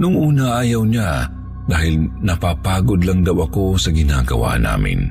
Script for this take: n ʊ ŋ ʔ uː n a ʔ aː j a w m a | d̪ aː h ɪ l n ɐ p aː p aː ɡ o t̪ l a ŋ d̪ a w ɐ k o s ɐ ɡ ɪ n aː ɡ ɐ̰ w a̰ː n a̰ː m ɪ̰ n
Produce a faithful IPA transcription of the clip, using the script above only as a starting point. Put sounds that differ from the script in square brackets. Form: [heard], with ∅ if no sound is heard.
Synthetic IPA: n ʊ ŋ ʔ uː n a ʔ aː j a w [ɲ] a | d̪ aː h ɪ l n ɐ p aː p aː ɡ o [d̪] l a ŋ d̪ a w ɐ k o s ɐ ɡ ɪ n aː ɡ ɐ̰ w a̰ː n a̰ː m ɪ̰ n